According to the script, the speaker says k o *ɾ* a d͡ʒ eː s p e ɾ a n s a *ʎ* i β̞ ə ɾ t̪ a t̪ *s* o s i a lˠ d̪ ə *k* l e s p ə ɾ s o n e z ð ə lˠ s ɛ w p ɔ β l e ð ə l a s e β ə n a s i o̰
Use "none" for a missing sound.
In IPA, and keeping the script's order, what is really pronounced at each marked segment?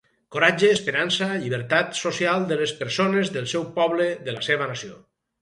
ɾ, ʎ, s, none

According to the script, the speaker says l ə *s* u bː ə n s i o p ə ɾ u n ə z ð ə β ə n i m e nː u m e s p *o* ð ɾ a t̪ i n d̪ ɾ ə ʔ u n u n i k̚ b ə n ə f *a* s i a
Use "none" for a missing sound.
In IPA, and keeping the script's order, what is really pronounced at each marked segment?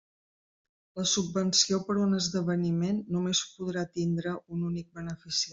s, u, i

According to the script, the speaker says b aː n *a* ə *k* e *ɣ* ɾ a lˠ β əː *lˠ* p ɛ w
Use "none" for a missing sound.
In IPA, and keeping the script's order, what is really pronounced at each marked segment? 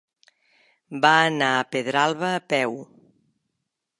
a, p, ð, none

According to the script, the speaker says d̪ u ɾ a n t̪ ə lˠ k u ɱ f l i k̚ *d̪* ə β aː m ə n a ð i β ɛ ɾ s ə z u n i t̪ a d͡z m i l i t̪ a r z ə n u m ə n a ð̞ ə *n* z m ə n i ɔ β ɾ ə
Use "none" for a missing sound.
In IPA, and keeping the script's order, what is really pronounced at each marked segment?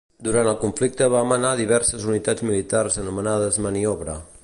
t̪, none

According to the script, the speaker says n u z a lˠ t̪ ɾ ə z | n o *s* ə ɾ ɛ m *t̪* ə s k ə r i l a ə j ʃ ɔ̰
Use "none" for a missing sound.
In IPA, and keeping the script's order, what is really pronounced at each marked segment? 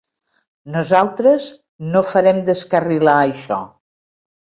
f, d̪

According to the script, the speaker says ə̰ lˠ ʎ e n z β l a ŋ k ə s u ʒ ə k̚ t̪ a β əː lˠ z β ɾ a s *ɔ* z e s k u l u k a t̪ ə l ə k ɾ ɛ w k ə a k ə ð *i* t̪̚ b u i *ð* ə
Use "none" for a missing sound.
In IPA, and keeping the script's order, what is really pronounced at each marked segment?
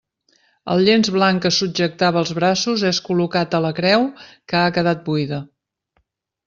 u, a, ð

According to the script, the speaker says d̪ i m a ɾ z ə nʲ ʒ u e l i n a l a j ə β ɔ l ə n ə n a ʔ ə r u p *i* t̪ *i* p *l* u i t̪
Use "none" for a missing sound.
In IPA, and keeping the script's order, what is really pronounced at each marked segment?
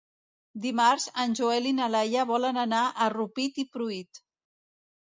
i, i, ɾ

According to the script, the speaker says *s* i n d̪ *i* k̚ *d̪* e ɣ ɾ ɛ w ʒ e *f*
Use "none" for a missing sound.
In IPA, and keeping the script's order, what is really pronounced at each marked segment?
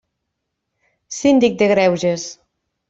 s, i, d̪, s

